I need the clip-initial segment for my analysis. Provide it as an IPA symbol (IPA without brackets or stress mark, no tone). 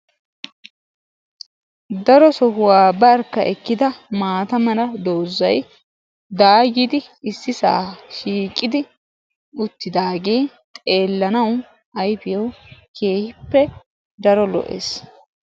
d̪